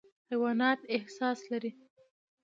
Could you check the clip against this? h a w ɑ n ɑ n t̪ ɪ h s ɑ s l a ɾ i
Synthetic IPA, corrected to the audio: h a w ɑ n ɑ t̪ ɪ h s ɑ s l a ɾ i